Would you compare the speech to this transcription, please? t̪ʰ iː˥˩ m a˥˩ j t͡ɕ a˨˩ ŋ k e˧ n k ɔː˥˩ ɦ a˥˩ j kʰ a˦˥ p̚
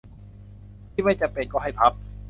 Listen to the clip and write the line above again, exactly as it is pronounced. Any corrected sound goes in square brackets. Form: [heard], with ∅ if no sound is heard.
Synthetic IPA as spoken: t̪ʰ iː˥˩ m a˥˩ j t͡ɕ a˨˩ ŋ [p] e˧ n k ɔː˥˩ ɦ a˥˩ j [pʰ] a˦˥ p̚